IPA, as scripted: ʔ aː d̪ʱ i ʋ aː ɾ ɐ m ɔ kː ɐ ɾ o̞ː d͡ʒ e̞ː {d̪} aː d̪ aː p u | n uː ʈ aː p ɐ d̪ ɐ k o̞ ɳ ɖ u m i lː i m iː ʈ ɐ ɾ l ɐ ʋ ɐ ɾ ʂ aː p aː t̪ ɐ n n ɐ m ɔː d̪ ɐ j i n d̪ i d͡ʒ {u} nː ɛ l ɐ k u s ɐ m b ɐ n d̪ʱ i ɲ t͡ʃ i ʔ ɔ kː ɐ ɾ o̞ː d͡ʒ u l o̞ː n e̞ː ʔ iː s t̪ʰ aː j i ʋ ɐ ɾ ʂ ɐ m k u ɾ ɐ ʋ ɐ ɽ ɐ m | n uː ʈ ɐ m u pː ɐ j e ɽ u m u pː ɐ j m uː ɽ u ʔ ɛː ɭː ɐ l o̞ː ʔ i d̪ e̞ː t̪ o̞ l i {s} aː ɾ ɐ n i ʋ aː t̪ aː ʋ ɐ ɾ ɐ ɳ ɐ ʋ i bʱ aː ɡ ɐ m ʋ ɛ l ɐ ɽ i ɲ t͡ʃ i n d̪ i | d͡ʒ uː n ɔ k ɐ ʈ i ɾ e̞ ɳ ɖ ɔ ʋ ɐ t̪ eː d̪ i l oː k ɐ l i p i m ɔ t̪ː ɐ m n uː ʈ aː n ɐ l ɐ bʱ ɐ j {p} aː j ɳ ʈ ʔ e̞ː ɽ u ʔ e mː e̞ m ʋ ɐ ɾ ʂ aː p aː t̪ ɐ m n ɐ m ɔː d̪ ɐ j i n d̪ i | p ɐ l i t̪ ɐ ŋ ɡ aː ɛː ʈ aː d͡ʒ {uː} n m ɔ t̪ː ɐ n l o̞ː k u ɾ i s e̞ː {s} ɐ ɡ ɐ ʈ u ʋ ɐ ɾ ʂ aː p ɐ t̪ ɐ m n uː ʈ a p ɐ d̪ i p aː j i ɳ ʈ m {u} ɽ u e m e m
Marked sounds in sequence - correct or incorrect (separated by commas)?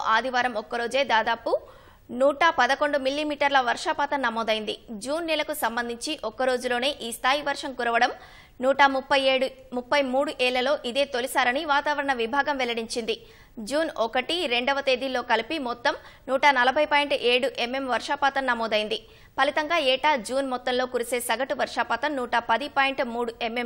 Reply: correct, incorrect, correct, correct, correct, correct, incorrect